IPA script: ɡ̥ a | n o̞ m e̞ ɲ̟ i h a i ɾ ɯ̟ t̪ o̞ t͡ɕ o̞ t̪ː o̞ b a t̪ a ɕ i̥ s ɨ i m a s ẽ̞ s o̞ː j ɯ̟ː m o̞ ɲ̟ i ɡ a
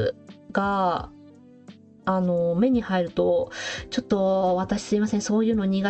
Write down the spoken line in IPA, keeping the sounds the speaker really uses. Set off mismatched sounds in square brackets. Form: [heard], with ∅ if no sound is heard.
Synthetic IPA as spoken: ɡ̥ a | n o̞ m e̞ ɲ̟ i h a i ɾ ɯ̟ t̪ o̞ t͡ɕ o̞ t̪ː o̞ [β] a t̪ a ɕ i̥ s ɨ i m a s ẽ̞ s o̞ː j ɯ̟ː [n] o̞ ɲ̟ i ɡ a